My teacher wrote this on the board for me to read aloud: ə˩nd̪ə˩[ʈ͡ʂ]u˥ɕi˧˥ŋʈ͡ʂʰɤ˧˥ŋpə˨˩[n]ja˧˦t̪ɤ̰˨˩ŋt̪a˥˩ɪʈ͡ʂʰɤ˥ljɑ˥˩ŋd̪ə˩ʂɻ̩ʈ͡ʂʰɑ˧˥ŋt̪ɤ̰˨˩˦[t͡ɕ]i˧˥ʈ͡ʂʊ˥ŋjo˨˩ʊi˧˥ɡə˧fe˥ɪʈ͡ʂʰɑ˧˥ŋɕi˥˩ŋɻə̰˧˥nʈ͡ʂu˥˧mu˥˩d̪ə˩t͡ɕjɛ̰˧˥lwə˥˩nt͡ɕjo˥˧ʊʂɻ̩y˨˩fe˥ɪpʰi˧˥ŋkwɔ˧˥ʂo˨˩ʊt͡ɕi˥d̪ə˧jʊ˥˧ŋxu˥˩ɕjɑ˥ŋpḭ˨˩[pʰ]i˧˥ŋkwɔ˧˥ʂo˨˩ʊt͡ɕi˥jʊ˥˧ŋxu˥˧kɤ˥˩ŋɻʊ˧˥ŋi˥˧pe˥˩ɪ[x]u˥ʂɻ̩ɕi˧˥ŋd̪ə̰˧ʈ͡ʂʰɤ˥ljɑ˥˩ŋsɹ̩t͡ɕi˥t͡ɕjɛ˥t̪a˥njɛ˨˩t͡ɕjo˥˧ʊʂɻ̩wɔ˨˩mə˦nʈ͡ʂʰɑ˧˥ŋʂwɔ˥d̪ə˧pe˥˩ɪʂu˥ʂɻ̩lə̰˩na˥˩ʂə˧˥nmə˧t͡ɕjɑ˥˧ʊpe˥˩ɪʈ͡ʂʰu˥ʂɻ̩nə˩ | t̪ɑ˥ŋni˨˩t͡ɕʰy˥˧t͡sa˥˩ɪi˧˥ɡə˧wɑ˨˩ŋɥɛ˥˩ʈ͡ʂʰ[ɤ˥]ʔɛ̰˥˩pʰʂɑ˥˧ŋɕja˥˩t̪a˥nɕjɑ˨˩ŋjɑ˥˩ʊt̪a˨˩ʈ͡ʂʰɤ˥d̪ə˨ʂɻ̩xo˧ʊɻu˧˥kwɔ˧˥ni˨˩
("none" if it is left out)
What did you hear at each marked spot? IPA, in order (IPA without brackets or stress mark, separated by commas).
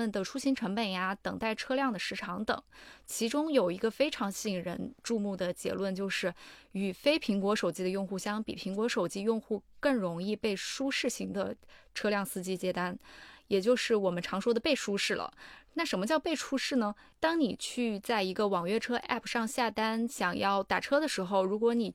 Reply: ʈ͡ʂʰ, n, t͡ɕʰ, pʰ, ʂ, ɤ˥